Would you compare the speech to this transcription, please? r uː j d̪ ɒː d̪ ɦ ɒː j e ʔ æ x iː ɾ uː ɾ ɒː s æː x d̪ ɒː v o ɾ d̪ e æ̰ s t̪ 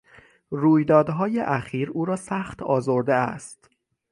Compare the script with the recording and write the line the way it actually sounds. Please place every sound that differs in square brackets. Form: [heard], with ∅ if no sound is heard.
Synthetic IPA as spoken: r uː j d̪ ɒː d̪ ɦ ɒː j e ʔ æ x iː ɾ uː ɾ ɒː s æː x [t̪] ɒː [z] o ɾ d̪ e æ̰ s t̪

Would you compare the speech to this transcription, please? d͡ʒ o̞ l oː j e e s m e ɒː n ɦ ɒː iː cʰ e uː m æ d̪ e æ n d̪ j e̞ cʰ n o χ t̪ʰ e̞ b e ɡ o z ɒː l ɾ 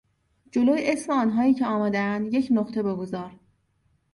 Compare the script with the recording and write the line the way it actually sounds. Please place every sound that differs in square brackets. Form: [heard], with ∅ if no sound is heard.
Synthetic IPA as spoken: d͡ʒ o̞ l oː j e e s m e ɒː n ɦ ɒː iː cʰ e [ɒː] m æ d̪ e æ n d̪ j e̞ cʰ n o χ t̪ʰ e̞ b e ɡ o z ɒː [∅] ɾ

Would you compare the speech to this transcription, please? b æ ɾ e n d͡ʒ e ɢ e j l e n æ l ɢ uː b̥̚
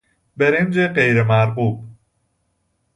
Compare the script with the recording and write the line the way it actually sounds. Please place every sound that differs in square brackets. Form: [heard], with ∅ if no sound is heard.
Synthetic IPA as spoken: b [e] ɾ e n d͡ʒ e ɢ e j [ɾ] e [m] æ [ɾ] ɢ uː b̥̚

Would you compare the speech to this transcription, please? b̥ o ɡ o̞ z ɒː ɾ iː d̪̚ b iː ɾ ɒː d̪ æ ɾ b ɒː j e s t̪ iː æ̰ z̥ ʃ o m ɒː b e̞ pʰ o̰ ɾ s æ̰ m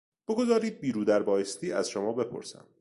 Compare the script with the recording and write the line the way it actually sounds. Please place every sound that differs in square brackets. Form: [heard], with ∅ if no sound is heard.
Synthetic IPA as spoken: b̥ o ɡ o̞ z ɒː ɾ iː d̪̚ b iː ɾ [uː] d̪ æ ɾ b ɒː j e s t̪ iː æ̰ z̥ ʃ o m ɒː b e̞ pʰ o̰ ɾ s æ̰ m

